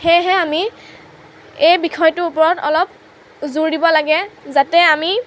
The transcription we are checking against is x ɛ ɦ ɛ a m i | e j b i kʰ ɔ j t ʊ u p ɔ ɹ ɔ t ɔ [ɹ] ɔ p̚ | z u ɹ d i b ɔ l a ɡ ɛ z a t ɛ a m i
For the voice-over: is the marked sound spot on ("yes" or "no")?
no